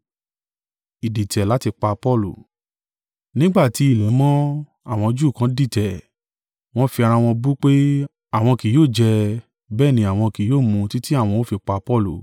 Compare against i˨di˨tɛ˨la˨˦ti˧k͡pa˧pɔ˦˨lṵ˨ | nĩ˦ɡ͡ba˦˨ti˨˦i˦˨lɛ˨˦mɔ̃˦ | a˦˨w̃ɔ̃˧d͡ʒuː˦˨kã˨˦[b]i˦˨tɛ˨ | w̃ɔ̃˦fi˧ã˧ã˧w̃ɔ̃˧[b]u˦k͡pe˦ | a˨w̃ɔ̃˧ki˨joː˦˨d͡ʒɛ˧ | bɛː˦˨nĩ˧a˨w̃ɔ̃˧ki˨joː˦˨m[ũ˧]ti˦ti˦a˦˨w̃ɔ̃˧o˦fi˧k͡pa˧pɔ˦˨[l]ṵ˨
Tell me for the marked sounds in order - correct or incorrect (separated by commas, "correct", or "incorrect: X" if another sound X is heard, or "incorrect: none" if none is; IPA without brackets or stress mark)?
incorrect: d, correct, correct, correct